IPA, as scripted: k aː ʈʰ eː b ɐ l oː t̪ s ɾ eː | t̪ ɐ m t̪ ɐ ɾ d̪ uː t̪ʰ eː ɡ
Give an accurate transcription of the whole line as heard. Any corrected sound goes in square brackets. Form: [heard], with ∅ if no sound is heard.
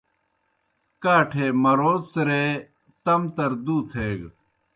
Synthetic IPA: k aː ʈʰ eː [m] ɐ [ɾ] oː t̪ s ɾ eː | t̪ ɐ m t̪ ɐ ɾ d̪ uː t̪ʰ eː ɡ